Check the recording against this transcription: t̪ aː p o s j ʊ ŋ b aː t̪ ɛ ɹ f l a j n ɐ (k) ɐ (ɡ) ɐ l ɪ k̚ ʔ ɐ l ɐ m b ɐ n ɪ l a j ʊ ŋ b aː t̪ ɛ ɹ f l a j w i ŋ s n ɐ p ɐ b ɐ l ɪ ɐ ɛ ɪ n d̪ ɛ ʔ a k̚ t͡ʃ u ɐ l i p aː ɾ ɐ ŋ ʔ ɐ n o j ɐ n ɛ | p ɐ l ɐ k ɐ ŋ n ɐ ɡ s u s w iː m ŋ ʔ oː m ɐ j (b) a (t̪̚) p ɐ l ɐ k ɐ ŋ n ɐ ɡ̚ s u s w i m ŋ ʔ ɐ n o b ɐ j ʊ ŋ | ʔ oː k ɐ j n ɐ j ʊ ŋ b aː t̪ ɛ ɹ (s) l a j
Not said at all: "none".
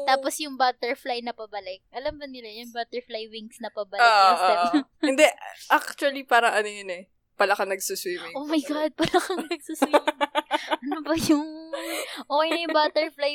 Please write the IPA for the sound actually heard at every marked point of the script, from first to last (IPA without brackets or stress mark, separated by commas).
p, b, ɡ, d̪̚, f